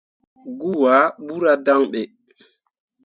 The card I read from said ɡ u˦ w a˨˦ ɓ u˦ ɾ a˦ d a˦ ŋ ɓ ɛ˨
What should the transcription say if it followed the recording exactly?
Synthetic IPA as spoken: ɡ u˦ w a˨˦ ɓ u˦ ɾ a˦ d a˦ ŋ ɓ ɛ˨